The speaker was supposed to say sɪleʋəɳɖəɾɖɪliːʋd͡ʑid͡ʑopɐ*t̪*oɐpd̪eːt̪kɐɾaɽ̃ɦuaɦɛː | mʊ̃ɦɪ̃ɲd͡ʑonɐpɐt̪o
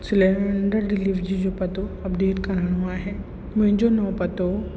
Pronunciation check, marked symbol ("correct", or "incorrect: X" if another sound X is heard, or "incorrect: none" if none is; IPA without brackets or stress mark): correct